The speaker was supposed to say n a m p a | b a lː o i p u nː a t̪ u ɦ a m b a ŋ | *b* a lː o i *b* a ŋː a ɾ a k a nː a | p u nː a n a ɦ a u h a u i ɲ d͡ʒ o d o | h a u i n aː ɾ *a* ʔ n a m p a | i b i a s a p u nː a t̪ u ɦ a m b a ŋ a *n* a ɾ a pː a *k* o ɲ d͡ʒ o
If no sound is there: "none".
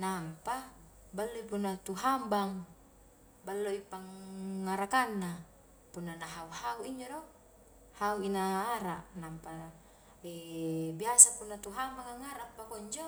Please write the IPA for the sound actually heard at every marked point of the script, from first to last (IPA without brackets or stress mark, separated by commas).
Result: b, p, a, ŋ, k